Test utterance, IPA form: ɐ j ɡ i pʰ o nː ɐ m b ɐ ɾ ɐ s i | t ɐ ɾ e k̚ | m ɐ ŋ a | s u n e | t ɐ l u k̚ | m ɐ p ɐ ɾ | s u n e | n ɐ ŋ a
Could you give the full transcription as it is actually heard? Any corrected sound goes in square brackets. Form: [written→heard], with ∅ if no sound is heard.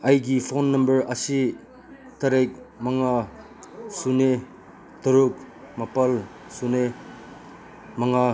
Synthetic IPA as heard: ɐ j ɡ i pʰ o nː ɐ m b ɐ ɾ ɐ s i | t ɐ ɾ e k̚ | m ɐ ŋ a | s u n e | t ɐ [l→ɾ] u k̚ | m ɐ p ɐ [ɾ→l] | s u n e | [n→m] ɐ ŋ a

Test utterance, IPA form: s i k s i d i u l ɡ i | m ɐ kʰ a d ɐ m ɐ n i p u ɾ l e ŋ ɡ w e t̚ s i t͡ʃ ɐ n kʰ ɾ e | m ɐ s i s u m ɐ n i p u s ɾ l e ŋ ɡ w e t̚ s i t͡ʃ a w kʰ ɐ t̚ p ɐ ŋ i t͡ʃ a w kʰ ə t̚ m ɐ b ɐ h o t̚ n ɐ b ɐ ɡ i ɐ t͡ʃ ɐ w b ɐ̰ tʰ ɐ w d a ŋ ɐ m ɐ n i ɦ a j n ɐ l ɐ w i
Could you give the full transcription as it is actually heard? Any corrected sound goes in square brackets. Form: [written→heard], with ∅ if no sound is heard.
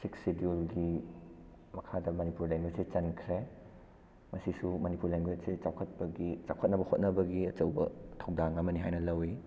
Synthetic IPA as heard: s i k s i d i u l ɡ i | m ɐ kʰ a d ɐ m ɐ n i p u ɾ l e ŋ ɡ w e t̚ s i t͡ʃ ɐ n kʰ ɾ e | m ɐ s i s u m ɐ n i p u [s→∅] ɾ l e ŋ ɡ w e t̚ s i t͡ʃ a w kʰ ɐ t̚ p ɐ [ŋ→ɡ] i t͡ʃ a w kʰ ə t̚ [m→n] ɐ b ɐ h o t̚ n ɐ b ɐ ɡ i ɐ t͡ʃ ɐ w b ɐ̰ tʰ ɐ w d a ŋ ɐ m ɐ n i ɦ a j n ɐ l ɐ w i

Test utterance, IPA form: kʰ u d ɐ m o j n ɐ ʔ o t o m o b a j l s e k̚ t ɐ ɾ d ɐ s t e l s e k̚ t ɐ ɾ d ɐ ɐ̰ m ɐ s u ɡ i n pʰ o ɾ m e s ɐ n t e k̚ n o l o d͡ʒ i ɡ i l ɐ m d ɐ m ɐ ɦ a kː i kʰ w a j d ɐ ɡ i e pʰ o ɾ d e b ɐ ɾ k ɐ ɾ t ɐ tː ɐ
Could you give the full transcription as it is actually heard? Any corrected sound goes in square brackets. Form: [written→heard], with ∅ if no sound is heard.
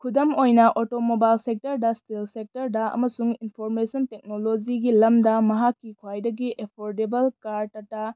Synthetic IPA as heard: kʰ u d ɐ m o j n ɐ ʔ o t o m o b a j l s e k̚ t ɐ ɾ d ɐ s t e l s e k̚ t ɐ ɾ d ɐ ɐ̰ m ɐ s u [ɡ→ŋ] i n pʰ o ɾ m e s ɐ n t e k̚ n o l o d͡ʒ i ɡ i l ɐ m d ɐ m ɐ ɦ a kː i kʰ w a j d ɐ ɡ i e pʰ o ɾ d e b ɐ [ɾ→l] k [ɐ→a] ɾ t ɐ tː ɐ

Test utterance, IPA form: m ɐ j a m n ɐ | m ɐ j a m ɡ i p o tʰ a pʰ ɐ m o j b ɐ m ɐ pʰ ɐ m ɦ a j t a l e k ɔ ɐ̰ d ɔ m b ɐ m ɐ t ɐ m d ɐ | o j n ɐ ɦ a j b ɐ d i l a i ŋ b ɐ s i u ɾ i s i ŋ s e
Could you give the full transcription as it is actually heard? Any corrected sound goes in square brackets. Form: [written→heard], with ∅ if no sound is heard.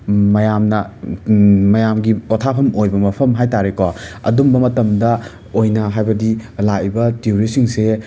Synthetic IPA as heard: m ɐ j a m n ɐ | m ɐ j a m ɡ i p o tʰ a pʰ ɐ m o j b ɐ m ɐ pʰ ɐ m ɦ a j t a [l→ɾ] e k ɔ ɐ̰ d [ɔ→u] m b ɐ m ɐ t ɐ m d ɐ | o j n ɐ ɦ a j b ɐ d i l a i [ŋ→∅] b ɐ [s→t] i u ɾ i s i ŋ s e

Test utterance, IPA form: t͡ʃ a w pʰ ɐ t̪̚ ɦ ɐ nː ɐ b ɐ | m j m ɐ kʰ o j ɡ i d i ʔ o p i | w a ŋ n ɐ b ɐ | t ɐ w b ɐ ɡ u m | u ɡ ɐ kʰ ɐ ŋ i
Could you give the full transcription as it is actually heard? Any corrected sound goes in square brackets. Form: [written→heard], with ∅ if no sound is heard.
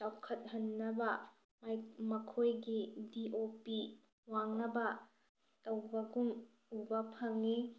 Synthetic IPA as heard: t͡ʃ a w [pʰ→kʰ] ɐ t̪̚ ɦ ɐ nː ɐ b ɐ | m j m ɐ kʰ o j ɡ i d i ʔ o p i | w a ŋ n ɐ b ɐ | t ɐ w b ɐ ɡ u m | u [ɡ→b] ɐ [kʰ→pʰ] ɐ ŋ i

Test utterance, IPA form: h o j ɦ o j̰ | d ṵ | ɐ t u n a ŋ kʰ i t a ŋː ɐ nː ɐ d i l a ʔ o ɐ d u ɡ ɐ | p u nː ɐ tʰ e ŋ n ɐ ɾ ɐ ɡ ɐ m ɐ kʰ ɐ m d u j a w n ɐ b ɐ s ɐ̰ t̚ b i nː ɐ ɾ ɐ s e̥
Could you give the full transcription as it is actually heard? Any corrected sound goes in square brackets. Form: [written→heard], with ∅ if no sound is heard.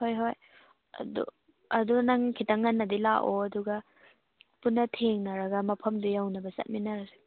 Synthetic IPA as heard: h o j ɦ o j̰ | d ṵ | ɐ [t→d] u n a ŋ kʰ i t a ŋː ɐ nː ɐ d i l a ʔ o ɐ d u ɡ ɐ | p u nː ɐ tʰ e ŋ n ɐ ɾ ɐ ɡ ɐ m ɐ [kʰ→pʰ] ɐ m d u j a w n ɐ b ɐ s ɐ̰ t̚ [b→m] i [nː→n] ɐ ɾ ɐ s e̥

